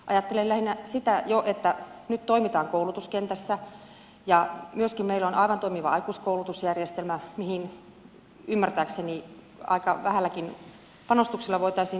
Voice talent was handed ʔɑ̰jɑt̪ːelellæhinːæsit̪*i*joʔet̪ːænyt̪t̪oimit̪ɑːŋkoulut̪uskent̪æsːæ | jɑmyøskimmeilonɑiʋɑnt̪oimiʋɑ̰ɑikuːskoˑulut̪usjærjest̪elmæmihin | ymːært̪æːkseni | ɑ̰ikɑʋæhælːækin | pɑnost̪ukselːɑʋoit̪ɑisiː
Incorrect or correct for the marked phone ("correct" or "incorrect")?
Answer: incorrect